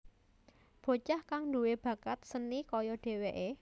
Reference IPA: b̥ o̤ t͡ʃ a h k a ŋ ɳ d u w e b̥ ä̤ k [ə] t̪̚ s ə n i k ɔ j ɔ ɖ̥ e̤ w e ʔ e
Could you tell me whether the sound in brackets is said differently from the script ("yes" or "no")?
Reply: yes